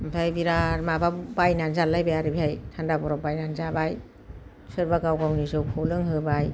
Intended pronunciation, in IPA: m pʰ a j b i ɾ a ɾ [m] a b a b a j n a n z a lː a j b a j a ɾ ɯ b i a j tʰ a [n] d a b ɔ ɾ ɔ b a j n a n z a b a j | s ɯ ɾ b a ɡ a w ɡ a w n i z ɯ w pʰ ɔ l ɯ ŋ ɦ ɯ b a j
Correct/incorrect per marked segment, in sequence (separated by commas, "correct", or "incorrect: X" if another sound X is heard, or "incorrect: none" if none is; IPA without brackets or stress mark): correct, correct